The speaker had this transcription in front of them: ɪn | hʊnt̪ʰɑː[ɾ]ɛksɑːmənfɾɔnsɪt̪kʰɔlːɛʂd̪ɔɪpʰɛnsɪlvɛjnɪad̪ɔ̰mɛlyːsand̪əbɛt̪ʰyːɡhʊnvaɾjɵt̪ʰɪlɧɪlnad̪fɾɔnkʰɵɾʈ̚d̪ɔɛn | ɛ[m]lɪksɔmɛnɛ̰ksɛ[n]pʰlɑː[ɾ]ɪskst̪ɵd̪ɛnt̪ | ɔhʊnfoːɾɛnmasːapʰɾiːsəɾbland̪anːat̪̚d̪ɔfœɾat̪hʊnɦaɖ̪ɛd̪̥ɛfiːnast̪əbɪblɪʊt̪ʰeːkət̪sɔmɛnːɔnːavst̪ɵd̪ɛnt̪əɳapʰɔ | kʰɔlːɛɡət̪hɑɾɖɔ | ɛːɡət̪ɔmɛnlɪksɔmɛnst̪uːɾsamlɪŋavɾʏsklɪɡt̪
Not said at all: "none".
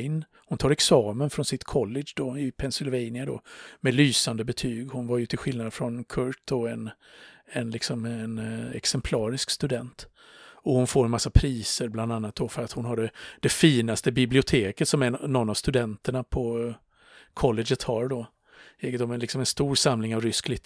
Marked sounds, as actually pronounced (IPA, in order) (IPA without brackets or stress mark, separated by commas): ɾ, n, m, ɾ